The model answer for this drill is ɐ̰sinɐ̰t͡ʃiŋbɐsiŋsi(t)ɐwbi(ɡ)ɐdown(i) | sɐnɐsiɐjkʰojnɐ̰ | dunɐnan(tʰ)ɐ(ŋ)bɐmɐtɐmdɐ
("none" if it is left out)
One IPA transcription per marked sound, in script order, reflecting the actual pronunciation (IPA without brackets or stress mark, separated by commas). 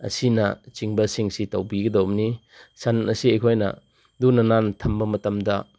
t, ɡ, i, tʰ, m